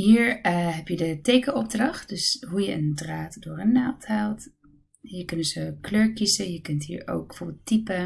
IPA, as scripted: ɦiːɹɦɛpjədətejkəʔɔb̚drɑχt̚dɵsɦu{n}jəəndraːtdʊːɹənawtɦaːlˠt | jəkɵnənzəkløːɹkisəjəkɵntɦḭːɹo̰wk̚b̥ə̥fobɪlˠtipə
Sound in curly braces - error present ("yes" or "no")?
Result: yes